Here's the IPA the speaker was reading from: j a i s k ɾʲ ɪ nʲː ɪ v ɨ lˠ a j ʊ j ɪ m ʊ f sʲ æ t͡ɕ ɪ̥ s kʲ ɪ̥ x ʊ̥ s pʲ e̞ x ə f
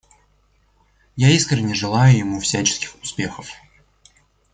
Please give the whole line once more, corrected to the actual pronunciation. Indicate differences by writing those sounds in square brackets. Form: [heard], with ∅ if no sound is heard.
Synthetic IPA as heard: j a i s k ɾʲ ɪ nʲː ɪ [ʐ] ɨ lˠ a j ʊ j ɪ m [u] f sʲ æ t͡ɕ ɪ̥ s kʲ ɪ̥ x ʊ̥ s pʲ e̞ x ə f